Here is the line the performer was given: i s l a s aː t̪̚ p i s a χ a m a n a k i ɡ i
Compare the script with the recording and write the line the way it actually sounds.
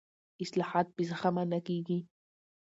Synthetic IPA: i s l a ħ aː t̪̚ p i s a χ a m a n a k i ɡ i